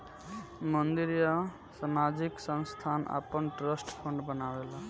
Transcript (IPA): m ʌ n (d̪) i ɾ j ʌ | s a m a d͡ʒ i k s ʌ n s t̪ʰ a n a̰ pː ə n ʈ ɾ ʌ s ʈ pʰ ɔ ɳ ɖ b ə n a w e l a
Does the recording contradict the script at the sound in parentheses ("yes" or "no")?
no